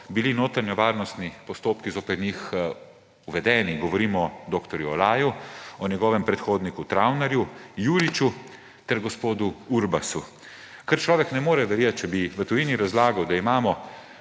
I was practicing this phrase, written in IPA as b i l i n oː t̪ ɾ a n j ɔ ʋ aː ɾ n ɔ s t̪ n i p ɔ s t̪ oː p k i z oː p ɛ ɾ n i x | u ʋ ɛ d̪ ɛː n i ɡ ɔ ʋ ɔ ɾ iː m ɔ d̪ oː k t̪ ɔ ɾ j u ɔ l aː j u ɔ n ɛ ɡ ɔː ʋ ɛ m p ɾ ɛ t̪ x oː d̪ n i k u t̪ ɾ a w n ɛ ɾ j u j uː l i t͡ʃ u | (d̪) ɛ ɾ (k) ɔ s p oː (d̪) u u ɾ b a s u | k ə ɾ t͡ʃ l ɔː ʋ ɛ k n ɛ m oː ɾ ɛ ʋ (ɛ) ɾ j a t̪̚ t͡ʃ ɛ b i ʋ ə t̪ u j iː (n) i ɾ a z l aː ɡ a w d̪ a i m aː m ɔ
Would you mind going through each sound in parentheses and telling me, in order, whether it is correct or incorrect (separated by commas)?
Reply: incorrect, incorrect, correct, correct, correct